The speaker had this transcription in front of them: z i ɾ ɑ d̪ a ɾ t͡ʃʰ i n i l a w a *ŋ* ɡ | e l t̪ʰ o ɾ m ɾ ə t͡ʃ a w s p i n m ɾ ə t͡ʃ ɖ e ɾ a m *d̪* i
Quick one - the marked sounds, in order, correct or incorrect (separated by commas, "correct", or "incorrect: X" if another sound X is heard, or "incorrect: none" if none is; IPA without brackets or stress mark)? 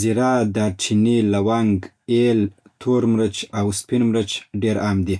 correct, correct